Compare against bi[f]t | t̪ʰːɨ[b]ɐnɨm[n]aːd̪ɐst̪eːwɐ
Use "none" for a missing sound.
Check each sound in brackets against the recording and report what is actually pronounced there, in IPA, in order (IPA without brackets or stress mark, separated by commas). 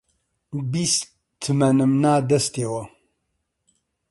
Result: s, m, n